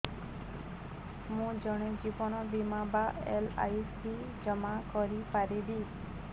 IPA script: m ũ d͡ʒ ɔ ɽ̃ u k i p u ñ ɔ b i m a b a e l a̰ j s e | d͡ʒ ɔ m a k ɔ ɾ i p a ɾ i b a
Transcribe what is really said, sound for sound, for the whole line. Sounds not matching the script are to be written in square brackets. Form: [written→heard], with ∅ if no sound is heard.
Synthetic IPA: m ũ d͡ʒ ɔ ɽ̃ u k i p [u→ɔ] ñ ɔ b i m a b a e l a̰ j s [e→i] | d͡ʒ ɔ m a k ɔ ɾ i p a ɾ i b [a→i]